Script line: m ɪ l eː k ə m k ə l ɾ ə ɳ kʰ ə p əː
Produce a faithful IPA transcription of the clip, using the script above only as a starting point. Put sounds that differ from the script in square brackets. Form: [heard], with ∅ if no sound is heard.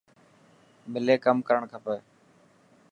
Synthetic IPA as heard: m ɪ l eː k ə m k ə [∅] ɾ ə ɳ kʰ ə p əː